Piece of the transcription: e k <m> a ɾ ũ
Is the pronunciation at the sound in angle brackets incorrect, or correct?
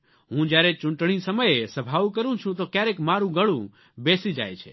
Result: correct